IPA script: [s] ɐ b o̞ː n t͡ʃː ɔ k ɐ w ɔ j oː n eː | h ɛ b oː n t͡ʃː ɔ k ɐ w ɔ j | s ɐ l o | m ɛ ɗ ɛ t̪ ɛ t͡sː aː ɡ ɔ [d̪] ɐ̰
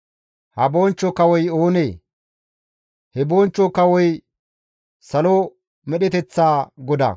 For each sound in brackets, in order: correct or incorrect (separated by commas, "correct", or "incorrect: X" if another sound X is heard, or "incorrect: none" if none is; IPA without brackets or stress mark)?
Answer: incorrect: h, correct